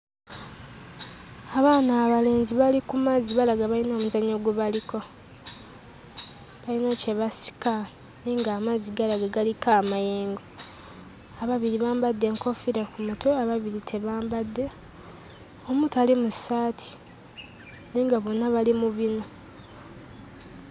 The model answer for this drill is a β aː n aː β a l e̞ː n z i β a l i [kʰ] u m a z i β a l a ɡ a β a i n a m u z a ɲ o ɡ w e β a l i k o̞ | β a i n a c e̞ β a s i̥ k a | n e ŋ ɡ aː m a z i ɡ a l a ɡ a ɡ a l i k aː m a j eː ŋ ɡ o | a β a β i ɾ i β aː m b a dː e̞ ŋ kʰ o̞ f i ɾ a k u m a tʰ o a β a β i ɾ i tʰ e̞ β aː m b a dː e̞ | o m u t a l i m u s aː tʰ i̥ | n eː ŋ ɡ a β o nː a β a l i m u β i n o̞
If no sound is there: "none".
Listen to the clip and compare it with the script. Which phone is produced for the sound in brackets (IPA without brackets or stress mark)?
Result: k